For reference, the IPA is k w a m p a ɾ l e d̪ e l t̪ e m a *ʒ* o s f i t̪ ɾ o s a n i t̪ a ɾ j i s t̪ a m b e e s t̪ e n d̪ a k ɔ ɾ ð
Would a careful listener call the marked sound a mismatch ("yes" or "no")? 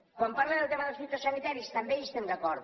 yes